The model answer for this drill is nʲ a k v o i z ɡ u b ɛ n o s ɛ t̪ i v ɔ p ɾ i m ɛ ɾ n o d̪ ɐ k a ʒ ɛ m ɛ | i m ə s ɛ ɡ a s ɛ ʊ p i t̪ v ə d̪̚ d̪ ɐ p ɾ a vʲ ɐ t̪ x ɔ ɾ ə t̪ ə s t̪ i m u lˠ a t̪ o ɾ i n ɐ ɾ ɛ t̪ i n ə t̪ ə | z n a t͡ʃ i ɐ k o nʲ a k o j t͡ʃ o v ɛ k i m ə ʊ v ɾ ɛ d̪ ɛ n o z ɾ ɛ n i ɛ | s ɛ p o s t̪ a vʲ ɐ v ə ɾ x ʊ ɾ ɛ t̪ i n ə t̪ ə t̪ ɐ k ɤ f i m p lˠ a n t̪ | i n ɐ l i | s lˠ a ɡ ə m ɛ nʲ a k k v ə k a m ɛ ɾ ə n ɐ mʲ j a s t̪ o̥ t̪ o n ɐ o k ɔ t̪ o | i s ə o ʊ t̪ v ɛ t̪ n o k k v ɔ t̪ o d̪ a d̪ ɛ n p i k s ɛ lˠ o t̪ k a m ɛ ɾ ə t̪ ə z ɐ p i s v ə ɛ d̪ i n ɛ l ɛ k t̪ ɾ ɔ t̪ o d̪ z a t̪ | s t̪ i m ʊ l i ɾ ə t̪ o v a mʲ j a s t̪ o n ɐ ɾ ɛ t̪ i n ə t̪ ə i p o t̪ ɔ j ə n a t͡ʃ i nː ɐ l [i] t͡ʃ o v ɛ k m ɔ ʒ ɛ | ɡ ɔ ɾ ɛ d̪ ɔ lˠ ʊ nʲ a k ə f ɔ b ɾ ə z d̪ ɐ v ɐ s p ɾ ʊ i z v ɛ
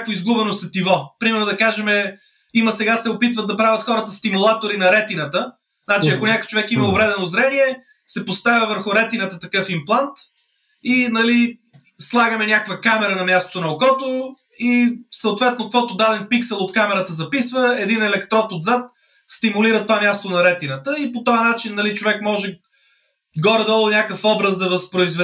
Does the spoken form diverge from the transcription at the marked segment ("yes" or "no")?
no